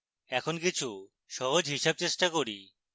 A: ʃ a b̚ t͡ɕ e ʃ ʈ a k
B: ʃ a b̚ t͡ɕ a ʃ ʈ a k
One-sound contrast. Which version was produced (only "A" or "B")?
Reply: A